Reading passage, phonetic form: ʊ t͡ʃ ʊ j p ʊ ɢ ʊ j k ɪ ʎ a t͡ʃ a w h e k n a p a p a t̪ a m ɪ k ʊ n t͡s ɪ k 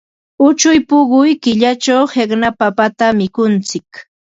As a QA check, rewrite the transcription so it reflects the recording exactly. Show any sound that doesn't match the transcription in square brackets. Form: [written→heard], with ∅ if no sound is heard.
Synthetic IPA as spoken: ʊ t͡ʃ ʊ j p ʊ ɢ ʊ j k ɪ ʎ a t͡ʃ a w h e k n a p a p a t̪ a m ɪ k ʊ n t͡s ɪ k